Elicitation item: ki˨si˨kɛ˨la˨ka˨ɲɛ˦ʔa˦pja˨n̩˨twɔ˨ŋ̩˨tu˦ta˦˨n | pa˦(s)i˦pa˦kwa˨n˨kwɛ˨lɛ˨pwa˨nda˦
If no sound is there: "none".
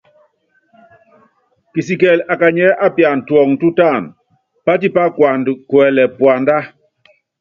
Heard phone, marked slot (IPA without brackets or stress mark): t